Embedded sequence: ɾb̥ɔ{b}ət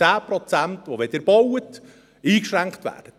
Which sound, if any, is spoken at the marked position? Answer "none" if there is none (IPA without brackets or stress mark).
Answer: w